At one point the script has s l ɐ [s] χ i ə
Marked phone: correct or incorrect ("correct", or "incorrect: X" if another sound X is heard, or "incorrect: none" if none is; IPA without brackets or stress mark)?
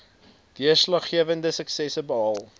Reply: incorrect: χ